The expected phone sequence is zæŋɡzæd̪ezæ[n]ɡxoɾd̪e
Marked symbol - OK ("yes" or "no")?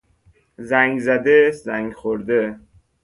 no